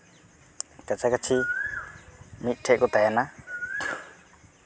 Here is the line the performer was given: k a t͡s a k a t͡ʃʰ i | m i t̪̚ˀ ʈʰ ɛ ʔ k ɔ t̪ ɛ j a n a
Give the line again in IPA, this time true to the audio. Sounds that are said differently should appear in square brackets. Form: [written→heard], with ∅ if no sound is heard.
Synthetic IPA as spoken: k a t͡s a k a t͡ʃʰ i | m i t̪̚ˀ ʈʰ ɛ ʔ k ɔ t̪ [ɛ→a] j a n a